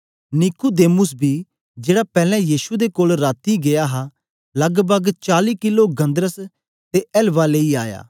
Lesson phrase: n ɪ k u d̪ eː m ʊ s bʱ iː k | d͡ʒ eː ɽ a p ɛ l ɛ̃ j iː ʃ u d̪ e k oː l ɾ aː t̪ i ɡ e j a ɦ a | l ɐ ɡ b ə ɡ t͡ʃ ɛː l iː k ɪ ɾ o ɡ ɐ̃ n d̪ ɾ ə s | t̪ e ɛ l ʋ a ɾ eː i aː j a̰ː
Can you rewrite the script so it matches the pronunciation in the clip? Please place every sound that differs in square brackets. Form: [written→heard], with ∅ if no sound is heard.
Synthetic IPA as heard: n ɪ k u d̪ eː m ʊ s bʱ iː [k→∅] | d͡ʒ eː ɽ a p [ɛ→ɛː] l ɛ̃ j iː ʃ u d̪ e k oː l ɾ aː t̪ i ɡ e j a ɦ a | l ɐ ɡ b ə ɡ t͡ʃ [ɛː→aː] l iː k ɪ [ɾ→l] o ɡ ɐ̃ n d̪ ɾ ə s | t̪ e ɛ l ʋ a [ɾ→l] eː i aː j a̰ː